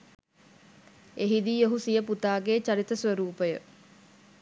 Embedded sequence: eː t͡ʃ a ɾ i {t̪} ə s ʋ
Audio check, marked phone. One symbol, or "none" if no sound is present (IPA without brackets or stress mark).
t̪